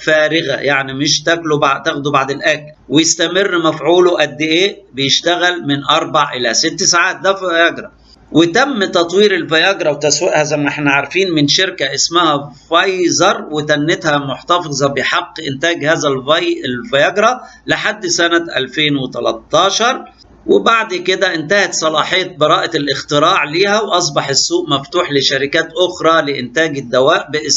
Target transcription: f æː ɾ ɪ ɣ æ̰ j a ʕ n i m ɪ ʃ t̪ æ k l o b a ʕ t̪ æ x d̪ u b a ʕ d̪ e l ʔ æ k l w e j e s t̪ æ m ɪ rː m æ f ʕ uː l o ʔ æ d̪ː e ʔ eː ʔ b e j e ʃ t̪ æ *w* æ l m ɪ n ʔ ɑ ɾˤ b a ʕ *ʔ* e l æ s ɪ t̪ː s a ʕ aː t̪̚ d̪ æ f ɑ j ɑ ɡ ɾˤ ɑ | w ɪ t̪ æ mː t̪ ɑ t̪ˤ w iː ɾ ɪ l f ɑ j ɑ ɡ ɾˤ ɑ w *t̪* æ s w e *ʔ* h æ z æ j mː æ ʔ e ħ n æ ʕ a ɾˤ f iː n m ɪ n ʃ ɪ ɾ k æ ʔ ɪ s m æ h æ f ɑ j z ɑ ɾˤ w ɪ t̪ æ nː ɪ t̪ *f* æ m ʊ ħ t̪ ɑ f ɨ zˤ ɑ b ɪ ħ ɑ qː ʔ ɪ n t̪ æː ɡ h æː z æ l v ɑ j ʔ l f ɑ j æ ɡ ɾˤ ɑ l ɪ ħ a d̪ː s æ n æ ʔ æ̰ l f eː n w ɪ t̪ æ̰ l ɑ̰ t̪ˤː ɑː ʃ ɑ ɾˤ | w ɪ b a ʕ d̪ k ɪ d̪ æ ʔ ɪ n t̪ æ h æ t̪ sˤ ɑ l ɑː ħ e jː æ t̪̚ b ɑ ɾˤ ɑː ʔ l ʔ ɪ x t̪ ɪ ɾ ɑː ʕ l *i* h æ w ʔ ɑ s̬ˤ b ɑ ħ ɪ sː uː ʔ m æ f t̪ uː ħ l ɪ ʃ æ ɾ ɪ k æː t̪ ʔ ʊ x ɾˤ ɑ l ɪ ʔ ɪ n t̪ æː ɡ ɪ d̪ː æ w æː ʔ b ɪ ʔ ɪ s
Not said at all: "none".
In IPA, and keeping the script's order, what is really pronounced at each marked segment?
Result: ɣ, ʔ, t̪, ʔ, h, iː

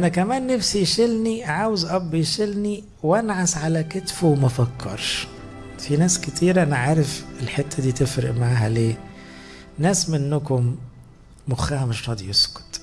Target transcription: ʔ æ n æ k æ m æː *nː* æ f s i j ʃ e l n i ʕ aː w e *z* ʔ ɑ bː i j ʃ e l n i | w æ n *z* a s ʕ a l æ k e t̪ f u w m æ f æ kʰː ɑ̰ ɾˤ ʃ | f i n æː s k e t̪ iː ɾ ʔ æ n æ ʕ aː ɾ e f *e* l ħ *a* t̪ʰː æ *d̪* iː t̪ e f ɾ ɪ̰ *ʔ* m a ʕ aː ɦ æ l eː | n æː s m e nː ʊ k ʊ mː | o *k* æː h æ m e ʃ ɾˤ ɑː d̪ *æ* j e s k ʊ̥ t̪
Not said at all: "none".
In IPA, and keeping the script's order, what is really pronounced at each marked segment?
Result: nː, z, ʕ, e, e, d̪, ʔ, x, i

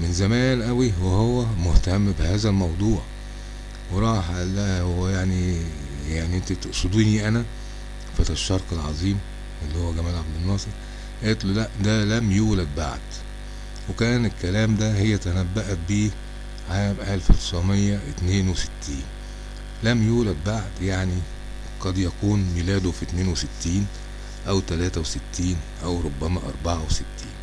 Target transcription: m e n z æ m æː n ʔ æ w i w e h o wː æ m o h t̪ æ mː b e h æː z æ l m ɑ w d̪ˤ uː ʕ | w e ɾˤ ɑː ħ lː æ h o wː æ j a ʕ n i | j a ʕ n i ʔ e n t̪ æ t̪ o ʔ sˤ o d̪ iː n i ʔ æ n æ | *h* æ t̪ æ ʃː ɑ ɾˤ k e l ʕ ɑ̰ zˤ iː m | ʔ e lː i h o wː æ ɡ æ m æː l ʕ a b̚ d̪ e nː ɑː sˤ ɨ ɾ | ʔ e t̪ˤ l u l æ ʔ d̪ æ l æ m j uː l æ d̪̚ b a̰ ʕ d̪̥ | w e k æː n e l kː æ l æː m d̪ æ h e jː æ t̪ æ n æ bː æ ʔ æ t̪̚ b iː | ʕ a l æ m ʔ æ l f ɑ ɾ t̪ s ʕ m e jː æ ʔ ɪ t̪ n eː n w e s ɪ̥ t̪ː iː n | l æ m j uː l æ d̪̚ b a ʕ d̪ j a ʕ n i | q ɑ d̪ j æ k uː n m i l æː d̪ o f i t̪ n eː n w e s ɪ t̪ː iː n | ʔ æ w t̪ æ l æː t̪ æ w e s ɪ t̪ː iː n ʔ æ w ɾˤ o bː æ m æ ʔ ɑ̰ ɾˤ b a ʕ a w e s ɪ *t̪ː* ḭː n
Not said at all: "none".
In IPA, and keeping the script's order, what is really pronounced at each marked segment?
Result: f, t̪ː

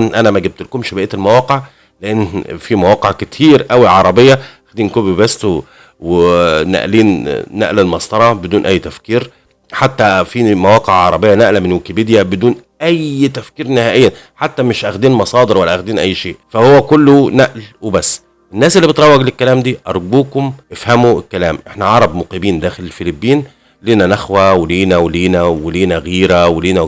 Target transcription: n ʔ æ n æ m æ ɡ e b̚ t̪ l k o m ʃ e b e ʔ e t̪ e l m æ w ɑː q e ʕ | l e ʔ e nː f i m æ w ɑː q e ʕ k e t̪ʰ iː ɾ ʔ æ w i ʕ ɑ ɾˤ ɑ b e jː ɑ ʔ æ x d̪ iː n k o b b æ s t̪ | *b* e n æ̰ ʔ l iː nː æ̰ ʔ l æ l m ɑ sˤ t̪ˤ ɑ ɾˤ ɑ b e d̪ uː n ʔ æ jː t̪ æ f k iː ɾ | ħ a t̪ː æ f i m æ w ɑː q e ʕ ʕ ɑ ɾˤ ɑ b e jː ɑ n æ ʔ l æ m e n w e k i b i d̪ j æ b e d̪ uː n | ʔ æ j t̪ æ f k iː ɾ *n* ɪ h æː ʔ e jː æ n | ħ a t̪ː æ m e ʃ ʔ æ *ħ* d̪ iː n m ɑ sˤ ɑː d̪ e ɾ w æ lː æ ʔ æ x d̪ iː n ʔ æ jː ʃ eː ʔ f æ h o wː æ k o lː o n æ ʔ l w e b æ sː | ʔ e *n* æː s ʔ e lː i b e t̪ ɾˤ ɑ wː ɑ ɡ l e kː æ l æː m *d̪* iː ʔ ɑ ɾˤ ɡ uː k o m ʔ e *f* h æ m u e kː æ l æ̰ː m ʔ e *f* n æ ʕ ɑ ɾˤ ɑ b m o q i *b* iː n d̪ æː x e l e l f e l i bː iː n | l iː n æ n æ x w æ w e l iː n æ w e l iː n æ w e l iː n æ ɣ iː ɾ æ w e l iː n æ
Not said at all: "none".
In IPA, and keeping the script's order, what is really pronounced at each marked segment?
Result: w, n, x, nː, d̪, f, ħ, b

